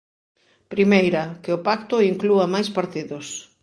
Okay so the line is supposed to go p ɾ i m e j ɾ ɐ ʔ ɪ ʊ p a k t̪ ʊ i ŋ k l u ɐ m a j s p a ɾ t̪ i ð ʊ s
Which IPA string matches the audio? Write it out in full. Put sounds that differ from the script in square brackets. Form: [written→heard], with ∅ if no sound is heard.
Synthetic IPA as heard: p ɾ i m e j ɾ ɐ [ʔ→k] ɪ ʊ p a k t̪ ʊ i ŋ k l u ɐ m a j s p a ɾ t̪ i ð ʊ s